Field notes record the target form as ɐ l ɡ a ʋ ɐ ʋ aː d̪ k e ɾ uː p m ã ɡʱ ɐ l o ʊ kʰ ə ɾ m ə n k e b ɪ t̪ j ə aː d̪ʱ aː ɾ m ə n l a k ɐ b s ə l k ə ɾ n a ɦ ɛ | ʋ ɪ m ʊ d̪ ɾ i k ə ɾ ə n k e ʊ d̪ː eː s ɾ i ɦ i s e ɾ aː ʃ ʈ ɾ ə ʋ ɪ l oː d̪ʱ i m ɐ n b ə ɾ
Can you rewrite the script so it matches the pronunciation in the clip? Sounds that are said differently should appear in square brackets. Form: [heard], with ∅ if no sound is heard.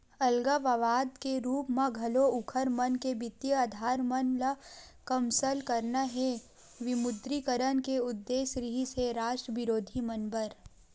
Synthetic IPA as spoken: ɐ l ɡ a ʋ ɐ ʋ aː d̪ k e ɾ uː p m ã ɡʱ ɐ l o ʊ kʰ ə ɾ m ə n k e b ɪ t̪ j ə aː d̪ʱ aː ɾ m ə n l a k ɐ [m] s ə l k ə ɾ n a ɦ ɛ | ʋ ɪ m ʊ d̪ ɾ i k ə ɾ ə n k e ʊ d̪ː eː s ɾ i ɦ i s e ɾ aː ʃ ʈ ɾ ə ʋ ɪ [ɾ] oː d̪ʱ i m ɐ n b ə ɾ